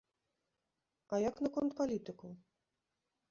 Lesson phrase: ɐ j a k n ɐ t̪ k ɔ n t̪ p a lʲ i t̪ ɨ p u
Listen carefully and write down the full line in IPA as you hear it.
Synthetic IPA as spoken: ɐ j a k n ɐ k ɔ n t̪ p a lʲ i t̪ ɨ k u